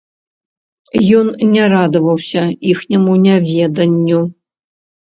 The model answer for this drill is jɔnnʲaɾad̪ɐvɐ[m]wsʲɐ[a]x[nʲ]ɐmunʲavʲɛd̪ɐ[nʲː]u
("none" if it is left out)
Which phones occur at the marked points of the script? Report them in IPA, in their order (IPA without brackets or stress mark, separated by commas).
none, i, nʲ, nʲː